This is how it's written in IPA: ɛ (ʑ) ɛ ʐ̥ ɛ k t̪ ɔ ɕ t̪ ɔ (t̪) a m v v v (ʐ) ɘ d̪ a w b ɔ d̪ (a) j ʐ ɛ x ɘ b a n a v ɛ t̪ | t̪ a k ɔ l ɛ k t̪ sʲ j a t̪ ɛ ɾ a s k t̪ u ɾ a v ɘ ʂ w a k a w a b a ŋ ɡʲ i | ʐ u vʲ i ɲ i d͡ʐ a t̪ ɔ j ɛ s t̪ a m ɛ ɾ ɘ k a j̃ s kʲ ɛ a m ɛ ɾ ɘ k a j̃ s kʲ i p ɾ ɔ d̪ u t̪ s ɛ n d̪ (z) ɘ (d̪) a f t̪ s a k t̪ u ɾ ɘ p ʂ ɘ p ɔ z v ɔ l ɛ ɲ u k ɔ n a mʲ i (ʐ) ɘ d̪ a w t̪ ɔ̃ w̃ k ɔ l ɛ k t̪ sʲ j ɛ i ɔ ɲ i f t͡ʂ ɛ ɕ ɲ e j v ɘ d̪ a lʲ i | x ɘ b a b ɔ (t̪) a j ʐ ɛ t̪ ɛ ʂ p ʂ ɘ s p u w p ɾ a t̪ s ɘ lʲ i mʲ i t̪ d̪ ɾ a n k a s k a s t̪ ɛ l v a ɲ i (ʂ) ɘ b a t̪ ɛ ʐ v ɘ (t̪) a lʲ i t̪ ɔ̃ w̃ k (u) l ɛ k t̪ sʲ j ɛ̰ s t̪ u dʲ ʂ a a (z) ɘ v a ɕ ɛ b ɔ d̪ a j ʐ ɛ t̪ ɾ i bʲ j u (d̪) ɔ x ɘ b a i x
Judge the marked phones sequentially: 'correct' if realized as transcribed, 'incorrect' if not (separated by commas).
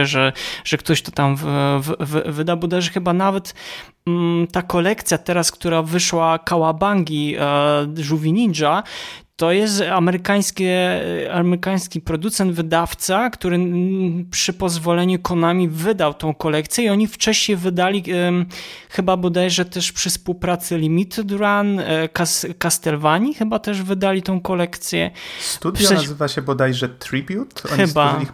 incorrect, correct, incorrect, correct, incorrect, correct, incorrect, incorrect, incorrect, incorrect, incorrect, correct, incorrect